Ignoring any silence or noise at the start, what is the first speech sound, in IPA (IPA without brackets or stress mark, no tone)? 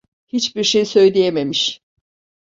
h